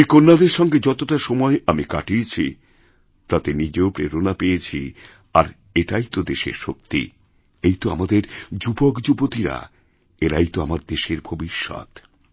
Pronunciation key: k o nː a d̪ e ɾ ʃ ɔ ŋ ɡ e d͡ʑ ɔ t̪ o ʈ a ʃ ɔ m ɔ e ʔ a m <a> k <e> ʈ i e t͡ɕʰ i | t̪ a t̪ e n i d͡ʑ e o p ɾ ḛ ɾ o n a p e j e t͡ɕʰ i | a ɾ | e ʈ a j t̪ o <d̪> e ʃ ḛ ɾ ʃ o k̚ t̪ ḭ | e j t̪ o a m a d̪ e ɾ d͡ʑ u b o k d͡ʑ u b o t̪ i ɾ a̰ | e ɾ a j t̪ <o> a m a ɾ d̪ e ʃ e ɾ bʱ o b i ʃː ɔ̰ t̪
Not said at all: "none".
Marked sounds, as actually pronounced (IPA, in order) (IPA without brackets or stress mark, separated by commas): i, a, d̪, o